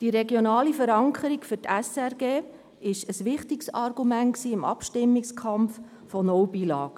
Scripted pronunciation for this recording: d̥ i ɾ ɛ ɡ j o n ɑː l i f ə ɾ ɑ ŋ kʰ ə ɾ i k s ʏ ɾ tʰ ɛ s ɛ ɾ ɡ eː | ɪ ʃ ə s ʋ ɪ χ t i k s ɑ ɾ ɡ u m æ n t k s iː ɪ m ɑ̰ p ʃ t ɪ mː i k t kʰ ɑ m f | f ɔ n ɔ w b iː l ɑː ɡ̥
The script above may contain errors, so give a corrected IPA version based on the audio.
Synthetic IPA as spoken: d̥ i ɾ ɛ ɡ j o n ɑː l i f ə ɾ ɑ ŋ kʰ ə ɾ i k f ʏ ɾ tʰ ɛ s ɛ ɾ ɡ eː | ɪ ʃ ə s ʋ ɪ χ t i k s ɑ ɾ ɡ u m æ n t k s iː ɪ m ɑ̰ p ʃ t ɪ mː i k s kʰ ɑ m f | f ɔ n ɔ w b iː l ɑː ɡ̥